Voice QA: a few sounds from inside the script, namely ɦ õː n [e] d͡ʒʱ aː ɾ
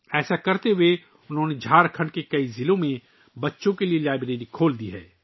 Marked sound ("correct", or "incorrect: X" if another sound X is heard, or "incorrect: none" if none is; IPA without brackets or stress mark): correct